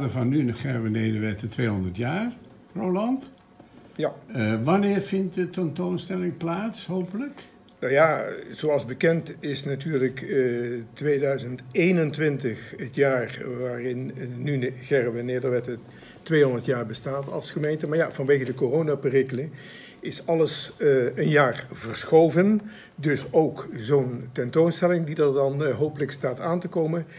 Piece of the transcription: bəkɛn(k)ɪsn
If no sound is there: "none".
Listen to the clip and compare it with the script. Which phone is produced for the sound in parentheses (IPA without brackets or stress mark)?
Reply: t